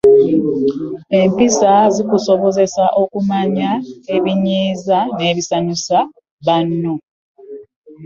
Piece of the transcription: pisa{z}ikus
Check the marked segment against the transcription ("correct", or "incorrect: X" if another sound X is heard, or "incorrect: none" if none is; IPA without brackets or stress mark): correct